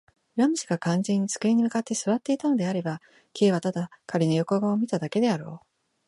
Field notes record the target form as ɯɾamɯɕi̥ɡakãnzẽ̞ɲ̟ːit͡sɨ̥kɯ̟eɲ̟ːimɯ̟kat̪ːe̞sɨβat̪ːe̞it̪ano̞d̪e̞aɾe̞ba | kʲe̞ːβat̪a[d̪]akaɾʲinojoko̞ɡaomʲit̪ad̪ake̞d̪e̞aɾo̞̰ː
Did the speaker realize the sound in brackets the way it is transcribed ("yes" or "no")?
yes